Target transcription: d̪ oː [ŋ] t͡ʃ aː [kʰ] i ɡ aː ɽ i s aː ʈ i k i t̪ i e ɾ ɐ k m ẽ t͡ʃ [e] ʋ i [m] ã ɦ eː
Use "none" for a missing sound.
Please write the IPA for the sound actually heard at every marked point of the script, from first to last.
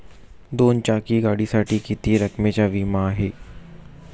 n, k, a, m

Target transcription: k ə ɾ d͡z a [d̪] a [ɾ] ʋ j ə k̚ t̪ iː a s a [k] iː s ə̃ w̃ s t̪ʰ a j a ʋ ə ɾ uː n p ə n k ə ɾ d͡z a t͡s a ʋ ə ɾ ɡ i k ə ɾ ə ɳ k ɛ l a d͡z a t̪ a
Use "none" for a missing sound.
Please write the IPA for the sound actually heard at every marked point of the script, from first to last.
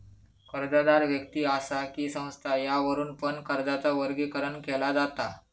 d̪, ɾ, k

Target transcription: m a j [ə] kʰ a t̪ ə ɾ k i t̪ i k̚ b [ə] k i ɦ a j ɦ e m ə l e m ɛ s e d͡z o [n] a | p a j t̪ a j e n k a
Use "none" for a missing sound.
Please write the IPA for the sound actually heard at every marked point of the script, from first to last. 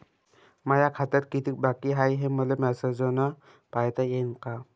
a, a, n

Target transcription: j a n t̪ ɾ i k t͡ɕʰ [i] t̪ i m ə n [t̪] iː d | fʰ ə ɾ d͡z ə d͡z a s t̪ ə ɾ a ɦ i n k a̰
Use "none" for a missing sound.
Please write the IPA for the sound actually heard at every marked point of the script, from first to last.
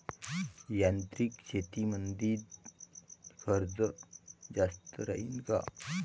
e, d̪

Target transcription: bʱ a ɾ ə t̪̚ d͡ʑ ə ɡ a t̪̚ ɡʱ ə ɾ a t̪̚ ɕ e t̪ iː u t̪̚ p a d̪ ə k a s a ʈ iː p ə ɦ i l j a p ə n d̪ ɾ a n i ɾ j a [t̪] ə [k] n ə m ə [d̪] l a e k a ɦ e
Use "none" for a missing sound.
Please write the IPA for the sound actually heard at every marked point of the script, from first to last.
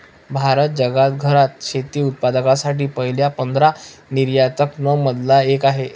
t̪, k, d̪

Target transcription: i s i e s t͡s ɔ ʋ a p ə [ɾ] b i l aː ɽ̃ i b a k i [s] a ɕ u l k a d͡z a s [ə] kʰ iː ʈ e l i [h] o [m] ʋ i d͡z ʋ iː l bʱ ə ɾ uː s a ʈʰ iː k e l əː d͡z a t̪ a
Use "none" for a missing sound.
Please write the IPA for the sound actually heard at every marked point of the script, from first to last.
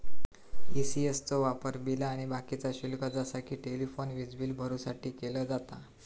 ɾ, t͡s, a, f, n

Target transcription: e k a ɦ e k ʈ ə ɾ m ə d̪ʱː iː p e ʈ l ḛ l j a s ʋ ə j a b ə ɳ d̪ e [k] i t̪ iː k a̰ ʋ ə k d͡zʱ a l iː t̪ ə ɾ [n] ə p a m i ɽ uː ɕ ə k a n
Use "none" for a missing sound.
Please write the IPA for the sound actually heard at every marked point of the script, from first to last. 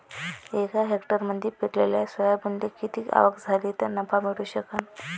k, n

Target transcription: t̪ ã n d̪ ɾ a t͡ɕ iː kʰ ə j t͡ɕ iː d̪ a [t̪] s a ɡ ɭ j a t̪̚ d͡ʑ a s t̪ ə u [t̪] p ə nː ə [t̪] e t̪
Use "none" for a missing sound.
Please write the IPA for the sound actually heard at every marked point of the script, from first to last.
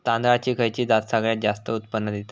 t̪, t̪, d̪

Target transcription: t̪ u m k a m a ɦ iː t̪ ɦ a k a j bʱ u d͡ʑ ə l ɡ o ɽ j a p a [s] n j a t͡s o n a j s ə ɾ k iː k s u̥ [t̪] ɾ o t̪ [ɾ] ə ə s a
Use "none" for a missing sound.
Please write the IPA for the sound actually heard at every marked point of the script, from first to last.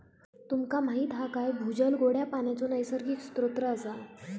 none, t̪, ɾ

